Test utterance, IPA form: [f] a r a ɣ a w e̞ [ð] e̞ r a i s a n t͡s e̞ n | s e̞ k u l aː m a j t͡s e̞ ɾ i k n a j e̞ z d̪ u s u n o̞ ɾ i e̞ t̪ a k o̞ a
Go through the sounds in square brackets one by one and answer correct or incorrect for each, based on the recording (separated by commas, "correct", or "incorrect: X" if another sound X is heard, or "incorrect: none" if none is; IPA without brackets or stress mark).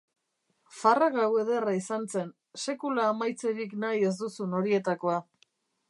correct, correct